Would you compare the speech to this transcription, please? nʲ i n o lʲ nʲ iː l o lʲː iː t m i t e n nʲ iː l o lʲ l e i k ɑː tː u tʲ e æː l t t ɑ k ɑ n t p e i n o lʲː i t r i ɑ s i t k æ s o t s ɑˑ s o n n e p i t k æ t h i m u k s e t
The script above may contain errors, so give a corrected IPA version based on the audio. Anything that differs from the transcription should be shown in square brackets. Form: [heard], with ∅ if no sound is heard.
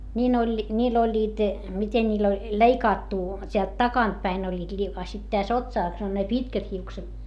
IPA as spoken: nʲ [iː] n o lʲ nʲ iː l o lʲː iː t m i t e n nʲ iː l o lʲ l e i k ɑː tː u tʲ e [æ] l t t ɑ k ɑ n t p [æ] i n o lʲː [iː] t [l] i ɑ s i t [t] æ s o t s ɑˑ s o n n e p i t k æ t h i [∅] u k s e t